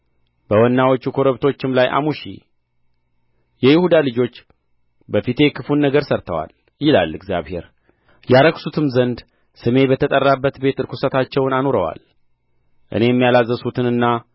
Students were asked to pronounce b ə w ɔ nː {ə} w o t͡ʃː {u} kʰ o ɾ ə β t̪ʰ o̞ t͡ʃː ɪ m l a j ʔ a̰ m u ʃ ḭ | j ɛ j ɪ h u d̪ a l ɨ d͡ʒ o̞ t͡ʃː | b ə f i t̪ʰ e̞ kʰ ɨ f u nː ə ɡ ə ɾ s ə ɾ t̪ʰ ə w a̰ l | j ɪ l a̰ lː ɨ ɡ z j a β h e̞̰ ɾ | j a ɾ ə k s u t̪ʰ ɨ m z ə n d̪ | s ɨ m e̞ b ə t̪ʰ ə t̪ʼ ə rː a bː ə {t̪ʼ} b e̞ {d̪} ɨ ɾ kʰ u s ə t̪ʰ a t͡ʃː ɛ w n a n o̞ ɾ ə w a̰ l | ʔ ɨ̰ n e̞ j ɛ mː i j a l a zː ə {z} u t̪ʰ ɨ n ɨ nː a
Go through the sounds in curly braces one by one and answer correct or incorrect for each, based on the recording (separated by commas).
incorrect, correct, incorrect, incorrect, incorrect